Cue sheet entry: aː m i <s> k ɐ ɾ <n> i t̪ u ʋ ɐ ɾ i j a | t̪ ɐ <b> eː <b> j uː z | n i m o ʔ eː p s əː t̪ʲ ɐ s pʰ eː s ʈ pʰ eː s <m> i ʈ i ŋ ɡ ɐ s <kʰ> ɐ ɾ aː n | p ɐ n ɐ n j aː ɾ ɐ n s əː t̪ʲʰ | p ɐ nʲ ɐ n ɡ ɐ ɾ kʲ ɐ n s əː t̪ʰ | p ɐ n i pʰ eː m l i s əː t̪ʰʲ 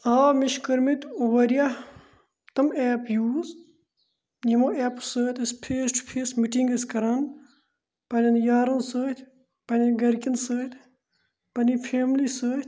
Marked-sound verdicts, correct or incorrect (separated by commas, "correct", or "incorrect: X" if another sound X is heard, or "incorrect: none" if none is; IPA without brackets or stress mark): incorrect: ʃ, incorrect: m, incorrect: m, incorrect: p, correct, incorrect: k